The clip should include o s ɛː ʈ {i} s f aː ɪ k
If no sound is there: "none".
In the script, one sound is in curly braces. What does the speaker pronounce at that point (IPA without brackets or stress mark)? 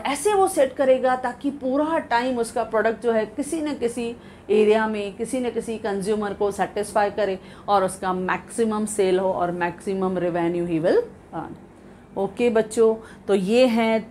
ɪ